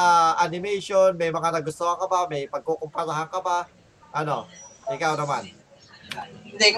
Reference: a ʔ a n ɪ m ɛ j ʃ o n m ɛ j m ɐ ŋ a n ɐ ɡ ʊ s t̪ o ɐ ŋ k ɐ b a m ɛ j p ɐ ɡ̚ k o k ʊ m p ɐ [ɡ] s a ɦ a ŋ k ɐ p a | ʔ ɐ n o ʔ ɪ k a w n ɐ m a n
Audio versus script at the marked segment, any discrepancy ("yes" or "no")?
yes